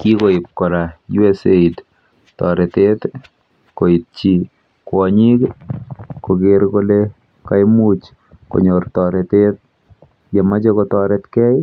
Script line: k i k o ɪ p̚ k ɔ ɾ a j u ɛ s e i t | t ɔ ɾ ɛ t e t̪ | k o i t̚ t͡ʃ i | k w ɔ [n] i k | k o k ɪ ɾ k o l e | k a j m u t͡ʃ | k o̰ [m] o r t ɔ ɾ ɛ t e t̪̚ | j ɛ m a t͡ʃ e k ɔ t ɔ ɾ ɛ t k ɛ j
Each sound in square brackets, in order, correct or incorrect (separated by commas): incorrect, incorrect